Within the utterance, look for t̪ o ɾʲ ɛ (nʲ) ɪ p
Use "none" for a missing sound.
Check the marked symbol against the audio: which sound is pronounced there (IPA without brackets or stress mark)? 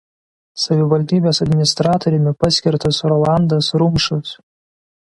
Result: mʲ